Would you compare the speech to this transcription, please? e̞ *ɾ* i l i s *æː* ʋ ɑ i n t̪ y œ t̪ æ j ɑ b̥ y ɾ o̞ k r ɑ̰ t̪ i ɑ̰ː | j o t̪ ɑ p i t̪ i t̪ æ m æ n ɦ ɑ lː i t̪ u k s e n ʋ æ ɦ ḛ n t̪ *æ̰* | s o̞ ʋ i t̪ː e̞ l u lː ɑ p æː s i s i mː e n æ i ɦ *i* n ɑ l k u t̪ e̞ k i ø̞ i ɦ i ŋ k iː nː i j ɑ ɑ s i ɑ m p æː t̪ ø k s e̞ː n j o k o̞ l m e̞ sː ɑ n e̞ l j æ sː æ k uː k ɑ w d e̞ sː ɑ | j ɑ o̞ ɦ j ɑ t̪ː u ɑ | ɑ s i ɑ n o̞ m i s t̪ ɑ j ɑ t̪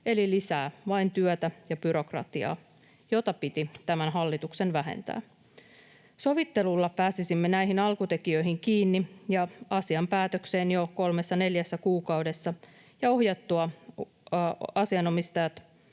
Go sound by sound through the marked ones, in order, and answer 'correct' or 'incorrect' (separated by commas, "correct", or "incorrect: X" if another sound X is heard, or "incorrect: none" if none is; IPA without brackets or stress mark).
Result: incorrect: l, correct, incorrect: æ̰ː, correct